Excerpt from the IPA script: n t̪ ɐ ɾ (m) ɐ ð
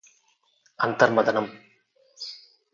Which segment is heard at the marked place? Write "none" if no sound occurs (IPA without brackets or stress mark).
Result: m